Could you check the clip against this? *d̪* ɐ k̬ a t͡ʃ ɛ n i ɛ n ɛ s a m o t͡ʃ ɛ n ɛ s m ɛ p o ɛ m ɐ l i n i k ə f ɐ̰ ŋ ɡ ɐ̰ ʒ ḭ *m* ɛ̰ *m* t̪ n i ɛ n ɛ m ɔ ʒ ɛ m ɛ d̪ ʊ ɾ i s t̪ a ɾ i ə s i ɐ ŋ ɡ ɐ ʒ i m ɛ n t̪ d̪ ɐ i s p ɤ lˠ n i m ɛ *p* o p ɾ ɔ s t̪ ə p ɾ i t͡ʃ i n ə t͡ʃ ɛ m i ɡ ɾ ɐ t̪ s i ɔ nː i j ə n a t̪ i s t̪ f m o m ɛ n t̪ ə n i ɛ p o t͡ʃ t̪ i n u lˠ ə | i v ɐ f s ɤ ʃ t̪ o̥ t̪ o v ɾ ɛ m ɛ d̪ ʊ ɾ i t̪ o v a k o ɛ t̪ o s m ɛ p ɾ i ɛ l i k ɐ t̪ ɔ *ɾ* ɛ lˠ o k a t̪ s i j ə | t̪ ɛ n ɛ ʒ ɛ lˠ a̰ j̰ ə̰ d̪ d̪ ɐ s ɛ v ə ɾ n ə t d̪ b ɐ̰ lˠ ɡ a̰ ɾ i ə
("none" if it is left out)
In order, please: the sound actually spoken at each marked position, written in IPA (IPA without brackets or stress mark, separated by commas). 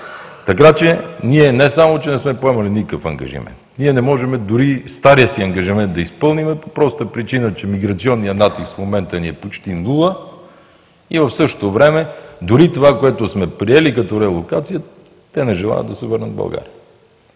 t̪, m, n, p, ɾ